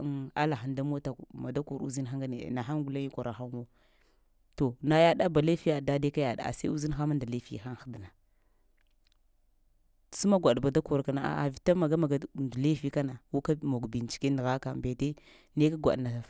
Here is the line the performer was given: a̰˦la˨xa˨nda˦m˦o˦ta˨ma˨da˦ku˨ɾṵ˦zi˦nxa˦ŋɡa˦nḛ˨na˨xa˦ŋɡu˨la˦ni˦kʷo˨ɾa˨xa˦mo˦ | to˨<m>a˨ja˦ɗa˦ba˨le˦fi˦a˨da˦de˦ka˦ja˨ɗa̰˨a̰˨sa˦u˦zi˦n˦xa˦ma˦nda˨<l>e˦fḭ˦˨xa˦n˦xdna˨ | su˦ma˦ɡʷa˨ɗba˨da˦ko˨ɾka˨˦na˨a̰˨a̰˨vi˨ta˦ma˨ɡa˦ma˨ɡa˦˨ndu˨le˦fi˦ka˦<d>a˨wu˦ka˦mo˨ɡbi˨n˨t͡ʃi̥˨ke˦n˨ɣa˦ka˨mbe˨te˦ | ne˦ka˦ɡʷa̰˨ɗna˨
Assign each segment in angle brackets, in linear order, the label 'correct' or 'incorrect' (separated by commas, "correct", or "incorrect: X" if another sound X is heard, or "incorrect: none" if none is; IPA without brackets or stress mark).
incorrect: n, correct, incorrect: n